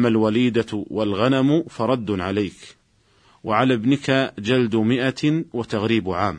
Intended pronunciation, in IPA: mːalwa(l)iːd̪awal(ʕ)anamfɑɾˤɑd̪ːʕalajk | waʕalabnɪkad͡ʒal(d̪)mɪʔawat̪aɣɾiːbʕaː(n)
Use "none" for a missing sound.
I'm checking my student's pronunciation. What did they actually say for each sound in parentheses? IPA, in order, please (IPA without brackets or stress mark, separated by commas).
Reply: l, ɣ, d̪, m